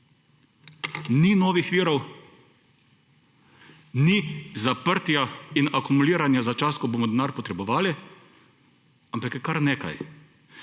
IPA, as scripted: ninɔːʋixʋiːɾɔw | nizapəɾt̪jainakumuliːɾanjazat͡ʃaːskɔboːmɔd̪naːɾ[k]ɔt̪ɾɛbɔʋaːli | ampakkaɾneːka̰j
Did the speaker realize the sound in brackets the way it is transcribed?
no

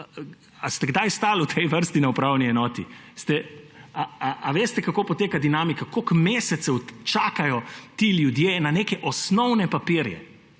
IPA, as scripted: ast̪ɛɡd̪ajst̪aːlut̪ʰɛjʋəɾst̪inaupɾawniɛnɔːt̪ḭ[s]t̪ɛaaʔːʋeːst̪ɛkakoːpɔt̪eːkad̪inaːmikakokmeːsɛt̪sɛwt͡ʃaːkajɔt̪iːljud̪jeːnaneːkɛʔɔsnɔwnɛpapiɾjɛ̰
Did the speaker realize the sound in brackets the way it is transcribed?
yes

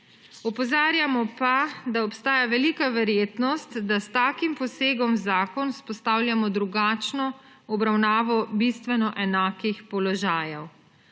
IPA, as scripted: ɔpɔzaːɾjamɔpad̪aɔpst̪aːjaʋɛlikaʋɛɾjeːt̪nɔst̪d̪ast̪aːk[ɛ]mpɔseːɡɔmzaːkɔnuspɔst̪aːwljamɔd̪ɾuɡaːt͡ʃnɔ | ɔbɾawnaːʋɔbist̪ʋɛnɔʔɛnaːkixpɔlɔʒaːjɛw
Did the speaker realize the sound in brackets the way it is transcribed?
no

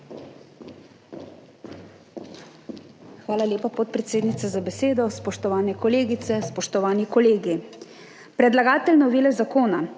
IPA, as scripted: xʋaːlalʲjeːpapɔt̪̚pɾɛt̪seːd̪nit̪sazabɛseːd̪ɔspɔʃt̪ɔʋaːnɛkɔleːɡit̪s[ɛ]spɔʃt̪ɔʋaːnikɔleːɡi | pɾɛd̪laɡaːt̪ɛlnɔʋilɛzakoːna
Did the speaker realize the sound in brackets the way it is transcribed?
yes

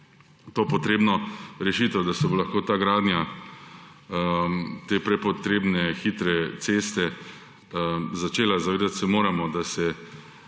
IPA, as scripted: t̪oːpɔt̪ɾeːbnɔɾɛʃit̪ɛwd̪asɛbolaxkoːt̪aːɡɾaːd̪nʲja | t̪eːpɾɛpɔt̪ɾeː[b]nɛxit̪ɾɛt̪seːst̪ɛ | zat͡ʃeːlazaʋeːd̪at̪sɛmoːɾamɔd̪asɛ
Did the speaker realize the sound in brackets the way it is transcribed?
yes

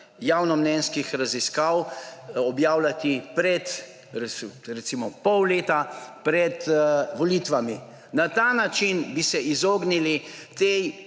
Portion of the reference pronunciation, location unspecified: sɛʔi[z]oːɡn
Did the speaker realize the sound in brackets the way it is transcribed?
yes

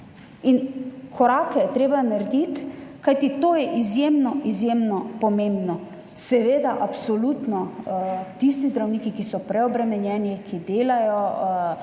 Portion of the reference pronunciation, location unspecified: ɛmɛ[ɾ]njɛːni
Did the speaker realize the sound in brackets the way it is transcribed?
no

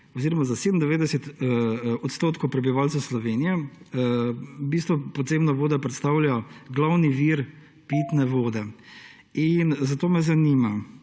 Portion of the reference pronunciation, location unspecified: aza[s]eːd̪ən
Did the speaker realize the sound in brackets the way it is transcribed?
yes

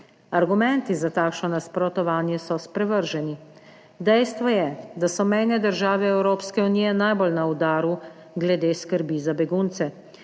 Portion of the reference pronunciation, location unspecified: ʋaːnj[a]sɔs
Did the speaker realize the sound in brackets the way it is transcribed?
no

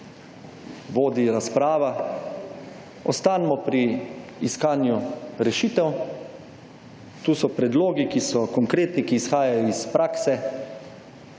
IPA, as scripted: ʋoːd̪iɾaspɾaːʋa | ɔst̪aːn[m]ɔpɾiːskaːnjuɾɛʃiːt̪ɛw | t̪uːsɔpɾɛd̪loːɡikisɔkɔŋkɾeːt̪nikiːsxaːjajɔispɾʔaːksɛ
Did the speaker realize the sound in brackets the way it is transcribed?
yes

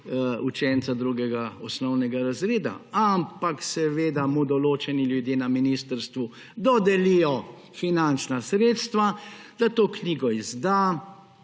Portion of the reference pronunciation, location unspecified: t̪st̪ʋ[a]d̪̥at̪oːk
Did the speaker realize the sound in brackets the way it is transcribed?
yes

